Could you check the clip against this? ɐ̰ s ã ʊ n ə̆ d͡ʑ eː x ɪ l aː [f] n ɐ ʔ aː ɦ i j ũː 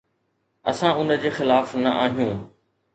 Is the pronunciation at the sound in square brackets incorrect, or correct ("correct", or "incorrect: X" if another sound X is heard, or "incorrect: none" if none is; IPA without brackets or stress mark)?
correct